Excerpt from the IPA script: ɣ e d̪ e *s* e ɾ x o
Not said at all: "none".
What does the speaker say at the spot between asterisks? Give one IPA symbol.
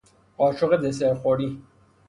s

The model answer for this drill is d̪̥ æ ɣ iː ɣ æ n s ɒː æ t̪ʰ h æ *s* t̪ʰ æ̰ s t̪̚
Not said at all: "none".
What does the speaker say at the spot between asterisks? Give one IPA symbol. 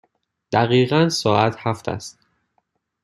f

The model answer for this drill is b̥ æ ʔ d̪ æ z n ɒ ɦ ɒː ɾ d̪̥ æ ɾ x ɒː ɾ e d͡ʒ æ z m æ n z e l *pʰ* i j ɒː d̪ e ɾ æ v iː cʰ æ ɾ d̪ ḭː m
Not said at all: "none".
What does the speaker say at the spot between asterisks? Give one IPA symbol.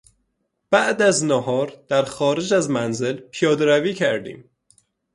pʰ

